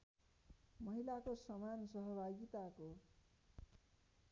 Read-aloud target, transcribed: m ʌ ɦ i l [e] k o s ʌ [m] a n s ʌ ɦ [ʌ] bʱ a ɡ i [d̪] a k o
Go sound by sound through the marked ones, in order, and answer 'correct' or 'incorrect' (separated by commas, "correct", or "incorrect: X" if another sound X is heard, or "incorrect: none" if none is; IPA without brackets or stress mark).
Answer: incorrect: a, correct, correct, incorrect: t̪